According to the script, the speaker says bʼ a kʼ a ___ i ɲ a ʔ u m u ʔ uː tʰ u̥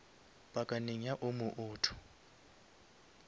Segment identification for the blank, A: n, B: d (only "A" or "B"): A